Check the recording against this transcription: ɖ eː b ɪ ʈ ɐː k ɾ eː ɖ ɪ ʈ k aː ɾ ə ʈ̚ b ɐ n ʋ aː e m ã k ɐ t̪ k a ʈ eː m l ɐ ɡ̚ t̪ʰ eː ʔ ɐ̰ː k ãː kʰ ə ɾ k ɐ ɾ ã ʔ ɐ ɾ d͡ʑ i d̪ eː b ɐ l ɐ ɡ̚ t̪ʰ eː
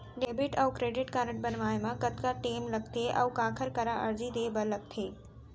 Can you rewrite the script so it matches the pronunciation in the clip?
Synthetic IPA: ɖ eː b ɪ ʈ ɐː k ɾ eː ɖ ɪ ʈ k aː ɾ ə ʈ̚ b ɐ n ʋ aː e m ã k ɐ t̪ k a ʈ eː m l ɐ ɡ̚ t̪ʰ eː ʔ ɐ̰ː k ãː kʰ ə ɾ k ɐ ɾ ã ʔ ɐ ɾ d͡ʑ i d̪ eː b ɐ l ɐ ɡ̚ t̪ʰ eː